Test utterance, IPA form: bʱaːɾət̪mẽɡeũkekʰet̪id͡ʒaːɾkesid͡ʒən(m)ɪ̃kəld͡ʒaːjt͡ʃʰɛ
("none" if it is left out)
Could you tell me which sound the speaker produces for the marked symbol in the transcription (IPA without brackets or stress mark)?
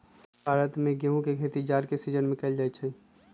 m